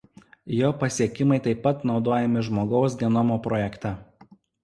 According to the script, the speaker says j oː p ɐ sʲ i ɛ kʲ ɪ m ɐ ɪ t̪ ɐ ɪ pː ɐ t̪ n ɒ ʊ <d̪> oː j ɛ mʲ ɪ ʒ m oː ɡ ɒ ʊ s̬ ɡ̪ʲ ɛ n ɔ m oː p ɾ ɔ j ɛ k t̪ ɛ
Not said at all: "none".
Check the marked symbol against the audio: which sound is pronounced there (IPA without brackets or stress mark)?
d̪